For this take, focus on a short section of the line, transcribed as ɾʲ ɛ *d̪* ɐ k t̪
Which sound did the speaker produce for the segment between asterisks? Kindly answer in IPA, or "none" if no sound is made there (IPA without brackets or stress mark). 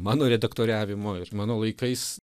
d̪